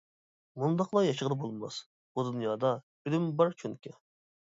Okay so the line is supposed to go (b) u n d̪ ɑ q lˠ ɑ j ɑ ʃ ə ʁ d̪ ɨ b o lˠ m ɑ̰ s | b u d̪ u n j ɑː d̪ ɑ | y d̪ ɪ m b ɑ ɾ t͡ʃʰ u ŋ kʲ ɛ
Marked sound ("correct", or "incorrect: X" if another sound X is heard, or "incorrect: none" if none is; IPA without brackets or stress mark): incorrect: m